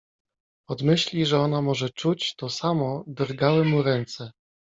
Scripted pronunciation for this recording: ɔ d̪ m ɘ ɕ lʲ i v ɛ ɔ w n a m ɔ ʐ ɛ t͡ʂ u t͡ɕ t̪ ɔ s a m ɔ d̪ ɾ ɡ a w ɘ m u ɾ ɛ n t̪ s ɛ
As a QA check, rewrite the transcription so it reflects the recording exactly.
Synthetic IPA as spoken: ɔ d̪ m ɘ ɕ lʲ i ʐ ɛ ɔ n a m ɔ ʐ ɛ t͡ʂ u t͡ɕ t̪ ɔ s a m ɔ d̪ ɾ ɡ a w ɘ m u ɾ ɛ n t̪ s ɛ